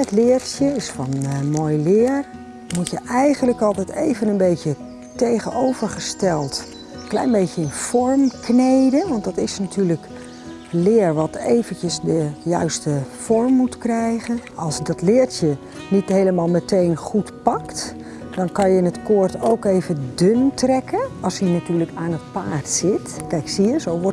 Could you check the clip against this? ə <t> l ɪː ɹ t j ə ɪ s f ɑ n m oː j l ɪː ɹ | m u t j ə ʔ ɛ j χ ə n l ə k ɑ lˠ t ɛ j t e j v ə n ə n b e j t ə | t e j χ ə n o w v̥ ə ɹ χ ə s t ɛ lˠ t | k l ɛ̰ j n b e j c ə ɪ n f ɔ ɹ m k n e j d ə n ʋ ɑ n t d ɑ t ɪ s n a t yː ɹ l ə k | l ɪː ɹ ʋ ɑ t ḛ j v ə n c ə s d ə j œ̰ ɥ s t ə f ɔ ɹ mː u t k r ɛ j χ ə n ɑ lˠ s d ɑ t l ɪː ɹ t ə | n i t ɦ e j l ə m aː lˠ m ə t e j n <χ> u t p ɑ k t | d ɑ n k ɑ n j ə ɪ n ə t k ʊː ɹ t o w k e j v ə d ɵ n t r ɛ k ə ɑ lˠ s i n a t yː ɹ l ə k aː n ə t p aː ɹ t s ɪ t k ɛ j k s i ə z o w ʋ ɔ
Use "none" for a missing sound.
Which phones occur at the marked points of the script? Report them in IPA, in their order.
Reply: t, χ

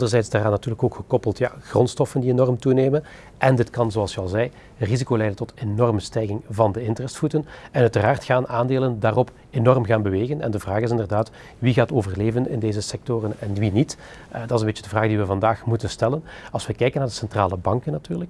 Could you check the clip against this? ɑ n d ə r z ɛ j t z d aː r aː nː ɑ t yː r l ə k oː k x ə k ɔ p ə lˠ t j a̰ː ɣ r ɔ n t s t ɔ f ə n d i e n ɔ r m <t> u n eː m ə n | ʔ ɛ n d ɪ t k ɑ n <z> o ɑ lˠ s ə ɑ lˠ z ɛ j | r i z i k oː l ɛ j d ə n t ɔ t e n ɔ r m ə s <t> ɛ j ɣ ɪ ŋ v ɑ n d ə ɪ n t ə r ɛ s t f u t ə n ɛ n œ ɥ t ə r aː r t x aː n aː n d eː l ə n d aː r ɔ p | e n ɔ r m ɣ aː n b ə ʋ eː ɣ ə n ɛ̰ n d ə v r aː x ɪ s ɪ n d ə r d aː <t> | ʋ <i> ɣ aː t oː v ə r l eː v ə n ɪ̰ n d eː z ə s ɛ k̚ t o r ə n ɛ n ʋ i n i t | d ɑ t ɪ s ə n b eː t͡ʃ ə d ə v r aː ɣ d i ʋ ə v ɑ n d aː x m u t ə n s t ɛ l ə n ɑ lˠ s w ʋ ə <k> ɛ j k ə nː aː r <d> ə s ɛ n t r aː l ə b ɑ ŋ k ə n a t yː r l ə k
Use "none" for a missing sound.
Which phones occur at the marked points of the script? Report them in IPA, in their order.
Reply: t, z, t, t, i, k, d

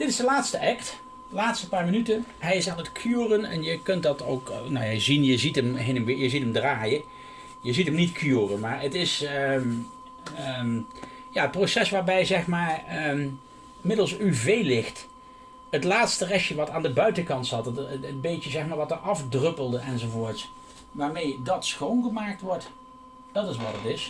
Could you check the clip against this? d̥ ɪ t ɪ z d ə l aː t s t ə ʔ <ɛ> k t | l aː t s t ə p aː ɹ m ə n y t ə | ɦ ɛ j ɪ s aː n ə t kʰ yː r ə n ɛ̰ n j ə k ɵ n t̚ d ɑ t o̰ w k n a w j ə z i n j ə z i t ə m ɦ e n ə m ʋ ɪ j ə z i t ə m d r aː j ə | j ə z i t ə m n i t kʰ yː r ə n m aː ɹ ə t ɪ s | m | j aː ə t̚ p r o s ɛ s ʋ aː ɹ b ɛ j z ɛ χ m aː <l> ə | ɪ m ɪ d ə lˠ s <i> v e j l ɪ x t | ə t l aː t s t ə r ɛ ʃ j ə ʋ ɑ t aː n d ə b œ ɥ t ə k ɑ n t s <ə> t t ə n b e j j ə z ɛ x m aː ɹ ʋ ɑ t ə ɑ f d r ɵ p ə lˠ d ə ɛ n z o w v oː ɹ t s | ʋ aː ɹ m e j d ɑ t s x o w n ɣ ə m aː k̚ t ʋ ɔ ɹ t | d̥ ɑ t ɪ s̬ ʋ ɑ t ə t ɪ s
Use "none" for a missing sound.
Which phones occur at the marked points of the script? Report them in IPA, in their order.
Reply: ɛ, ɹ, y, ɑ

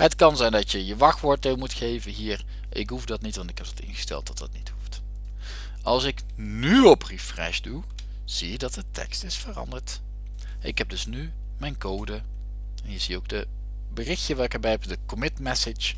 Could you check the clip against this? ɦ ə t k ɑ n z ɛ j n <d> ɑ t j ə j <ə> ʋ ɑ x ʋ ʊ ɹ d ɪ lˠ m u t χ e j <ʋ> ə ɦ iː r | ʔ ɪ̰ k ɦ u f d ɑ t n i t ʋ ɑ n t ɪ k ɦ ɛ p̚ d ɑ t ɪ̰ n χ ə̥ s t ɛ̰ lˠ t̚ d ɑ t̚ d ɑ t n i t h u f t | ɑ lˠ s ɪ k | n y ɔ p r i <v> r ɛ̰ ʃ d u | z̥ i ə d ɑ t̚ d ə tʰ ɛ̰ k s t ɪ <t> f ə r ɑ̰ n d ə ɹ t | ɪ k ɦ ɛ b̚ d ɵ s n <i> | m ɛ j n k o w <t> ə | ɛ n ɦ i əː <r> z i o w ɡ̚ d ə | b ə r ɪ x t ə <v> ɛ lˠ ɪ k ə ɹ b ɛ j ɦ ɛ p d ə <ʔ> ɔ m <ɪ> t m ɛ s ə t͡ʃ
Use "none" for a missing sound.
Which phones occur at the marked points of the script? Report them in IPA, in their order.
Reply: d, ə, v, f, s, y, d, ɹ, ʋ, k, ɪ

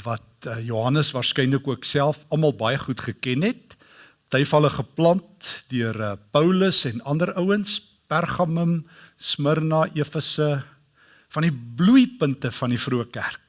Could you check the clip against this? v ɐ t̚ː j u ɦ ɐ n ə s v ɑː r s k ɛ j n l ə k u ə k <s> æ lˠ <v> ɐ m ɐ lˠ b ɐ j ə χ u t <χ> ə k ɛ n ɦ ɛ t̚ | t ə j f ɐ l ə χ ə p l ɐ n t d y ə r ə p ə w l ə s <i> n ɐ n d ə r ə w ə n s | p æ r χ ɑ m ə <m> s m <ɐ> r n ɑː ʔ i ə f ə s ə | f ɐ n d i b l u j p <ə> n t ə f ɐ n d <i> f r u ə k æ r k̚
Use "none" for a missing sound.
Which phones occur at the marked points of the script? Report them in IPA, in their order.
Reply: s, f, χ, ɛ, m, ə, ə, i

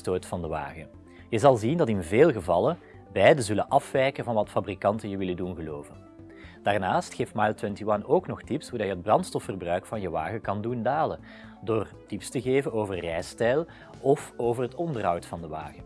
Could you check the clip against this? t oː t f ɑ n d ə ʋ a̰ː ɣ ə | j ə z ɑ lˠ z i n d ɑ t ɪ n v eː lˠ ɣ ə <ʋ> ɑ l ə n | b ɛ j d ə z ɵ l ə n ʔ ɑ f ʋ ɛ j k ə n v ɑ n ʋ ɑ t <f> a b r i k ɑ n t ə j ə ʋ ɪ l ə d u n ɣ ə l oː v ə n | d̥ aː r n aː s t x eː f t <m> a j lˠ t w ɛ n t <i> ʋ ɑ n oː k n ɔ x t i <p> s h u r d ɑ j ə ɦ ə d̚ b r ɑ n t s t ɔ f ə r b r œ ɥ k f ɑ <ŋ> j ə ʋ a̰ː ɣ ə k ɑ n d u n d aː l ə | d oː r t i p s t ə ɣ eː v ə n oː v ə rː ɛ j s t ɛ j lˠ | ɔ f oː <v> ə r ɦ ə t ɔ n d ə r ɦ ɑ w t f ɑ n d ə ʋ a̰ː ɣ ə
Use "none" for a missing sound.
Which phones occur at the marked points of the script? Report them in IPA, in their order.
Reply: v, f, m, i, p, n, v

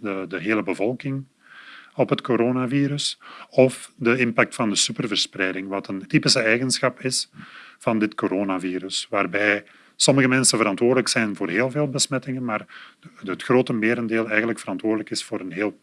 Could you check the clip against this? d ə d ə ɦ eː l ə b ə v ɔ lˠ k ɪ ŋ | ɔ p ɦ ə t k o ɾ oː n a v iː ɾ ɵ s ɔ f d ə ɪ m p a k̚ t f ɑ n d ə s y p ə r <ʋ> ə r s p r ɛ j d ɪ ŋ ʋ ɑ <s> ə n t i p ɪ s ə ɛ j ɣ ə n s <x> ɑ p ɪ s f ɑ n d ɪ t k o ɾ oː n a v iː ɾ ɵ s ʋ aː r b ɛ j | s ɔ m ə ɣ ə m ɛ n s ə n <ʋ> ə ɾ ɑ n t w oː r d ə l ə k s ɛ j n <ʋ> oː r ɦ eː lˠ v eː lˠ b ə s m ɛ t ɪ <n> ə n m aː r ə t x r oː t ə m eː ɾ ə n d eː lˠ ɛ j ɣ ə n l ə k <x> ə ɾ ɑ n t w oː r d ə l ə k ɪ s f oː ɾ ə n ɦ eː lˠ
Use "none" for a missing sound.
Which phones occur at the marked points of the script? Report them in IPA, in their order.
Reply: v, t, x, v, v, ŋ, f

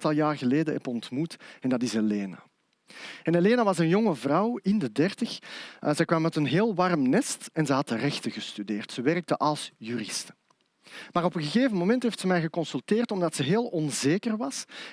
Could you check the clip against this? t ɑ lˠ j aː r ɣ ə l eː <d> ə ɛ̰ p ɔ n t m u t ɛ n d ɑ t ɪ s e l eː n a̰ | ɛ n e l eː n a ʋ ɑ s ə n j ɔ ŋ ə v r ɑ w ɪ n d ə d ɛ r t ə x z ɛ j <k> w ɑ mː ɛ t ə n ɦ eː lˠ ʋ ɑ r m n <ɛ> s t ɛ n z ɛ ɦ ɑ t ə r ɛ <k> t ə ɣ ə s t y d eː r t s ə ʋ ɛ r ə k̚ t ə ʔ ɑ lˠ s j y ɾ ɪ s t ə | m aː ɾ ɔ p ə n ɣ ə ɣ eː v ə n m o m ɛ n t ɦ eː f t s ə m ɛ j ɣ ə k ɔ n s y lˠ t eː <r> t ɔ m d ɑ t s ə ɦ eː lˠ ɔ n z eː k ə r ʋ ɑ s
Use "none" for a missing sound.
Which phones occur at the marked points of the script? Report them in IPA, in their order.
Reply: d, k, ɛ, x, r

